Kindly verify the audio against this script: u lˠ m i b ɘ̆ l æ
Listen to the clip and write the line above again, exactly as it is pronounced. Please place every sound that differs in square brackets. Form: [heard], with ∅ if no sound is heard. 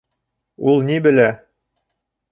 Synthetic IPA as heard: u lˠ [n] i b ɘ̆ l æ

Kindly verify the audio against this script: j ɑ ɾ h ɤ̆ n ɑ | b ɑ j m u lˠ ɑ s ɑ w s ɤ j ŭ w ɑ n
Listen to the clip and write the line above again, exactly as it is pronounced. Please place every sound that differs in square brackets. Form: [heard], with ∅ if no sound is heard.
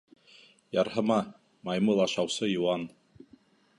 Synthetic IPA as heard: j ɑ ɾ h ɤ̆ [m] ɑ | [m] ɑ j m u lˠ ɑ [ʃ] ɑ w s ɤ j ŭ w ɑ n

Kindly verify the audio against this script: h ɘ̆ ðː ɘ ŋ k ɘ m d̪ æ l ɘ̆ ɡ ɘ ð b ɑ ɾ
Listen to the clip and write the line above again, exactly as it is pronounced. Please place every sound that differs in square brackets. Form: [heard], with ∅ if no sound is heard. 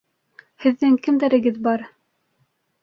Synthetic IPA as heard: h ɘ̆ ðː ɘ ŋ k ɘ m d̪ æ [ɾ] ɘ̆ ɡ ɘ ð b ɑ ɾ

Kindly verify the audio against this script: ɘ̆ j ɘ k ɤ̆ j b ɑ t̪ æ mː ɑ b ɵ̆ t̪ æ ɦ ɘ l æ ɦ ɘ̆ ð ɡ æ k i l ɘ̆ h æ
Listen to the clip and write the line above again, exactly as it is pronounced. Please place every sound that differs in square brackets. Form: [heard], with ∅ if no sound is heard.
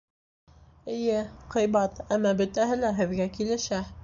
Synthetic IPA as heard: ɘ̆ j ɘ [q] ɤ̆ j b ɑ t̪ æ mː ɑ b ɵ̆ t̪ æ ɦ ɘ l æ ɦ ɘ̆ ð ɡ æ k i l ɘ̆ [ʃ] æ

